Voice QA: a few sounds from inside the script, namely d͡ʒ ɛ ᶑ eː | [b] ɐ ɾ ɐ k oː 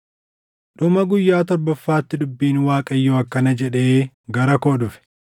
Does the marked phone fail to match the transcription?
yes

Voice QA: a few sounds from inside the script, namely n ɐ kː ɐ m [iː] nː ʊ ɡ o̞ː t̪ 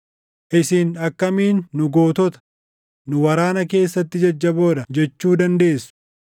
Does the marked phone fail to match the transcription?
no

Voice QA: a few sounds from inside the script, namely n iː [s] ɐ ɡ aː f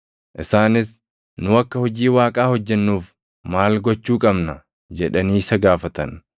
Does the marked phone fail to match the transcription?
no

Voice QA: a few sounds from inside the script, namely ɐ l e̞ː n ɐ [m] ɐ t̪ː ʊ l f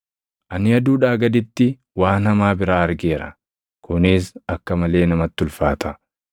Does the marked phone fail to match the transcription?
no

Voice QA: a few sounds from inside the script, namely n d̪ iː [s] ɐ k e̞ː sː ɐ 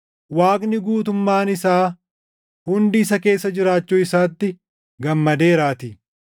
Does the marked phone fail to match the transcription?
no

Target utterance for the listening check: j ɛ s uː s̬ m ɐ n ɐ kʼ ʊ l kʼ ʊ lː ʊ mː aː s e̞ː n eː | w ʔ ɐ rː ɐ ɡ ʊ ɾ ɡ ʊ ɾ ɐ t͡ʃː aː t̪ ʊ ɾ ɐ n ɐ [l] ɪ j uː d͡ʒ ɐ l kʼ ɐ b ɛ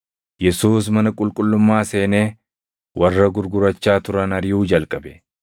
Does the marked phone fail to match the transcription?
yes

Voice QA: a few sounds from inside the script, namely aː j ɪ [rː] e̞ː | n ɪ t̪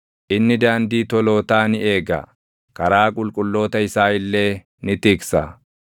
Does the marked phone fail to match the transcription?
yes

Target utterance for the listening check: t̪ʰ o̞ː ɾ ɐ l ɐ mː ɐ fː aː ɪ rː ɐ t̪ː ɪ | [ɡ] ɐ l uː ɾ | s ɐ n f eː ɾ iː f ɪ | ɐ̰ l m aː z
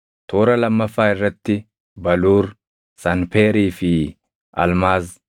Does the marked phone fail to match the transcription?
yes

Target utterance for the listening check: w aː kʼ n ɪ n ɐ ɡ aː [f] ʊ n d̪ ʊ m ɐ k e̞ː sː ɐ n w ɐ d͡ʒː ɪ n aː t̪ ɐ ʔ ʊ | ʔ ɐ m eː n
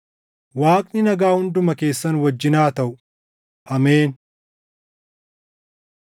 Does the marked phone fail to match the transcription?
yes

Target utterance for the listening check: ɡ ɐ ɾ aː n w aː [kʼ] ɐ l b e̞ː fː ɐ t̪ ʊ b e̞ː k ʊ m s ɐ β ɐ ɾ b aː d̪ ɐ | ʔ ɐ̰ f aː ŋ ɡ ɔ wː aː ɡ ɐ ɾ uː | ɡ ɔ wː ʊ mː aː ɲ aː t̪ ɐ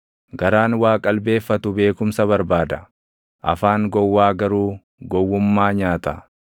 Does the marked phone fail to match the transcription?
no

